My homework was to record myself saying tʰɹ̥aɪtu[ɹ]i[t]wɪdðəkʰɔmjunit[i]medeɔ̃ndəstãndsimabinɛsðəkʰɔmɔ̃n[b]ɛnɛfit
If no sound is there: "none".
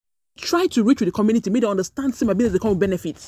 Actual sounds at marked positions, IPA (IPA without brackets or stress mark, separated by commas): ɹ, t͡ʃ, i, b